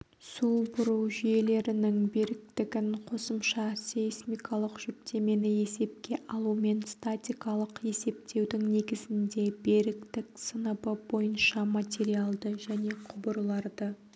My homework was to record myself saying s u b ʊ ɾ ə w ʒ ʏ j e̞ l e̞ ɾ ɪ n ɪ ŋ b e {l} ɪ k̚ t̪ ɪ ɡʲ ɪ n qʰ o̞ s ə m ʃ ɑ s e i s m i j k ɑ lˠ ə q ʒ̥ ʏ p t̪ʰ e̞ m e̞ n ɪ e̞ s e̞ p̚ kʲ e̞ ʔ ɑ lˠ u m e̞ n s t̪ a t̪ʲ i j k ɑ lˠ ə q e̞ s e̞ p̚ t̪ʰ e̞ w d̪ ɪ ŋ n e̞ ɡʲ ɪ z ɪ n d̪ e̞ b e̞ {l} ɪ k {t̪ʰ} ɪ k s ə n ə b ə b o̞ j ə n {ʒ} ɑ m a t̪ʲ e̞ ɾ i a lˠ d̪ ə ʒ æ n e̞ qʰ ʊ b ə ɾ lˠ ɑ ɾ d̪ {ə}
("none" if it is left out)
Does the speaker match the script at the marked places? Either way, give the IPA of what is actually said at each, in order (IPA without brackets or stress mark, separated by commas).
ɾ, ɾ, t̪, ʃ, ə